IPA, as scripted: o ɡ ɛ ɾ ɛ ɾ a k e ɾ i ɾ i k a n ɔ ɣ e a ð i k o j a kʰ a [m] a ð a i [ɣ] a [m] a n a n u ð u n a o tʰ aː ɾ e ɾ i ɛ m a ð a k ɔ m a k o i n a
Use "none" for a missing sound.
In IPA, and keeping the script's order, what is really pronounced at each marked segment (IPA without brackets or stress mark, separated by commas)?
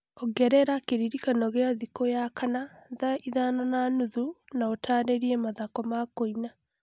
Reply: n, ð, n